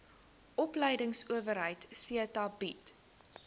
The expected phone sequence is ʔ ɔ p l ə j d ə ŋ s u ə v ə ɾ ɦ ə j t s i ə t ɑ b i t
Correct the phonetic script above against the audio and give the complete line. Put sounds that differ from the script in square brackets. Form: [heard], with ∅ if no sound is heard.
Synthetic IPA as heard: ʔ ɔ p l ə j d ə ŋ s u ə v ə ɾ ɦ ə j t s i ə t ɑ b i t